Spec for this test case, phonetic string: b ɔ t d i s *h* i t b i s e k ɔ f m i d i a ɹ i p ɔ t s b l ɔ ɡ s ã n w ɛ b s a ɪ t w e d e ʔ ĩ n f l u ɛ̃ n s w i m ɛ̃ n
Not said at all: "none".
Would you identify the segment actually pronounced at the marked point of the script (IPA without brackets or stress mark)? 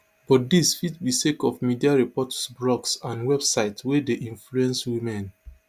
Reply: f